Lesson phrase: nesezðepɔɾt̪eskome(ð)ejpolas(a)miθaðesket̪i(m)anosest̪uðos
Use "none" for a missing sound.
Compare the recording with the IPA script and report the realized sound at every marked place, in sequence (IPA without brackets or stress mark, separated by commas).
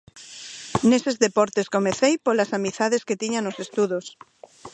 θ, a, ɲ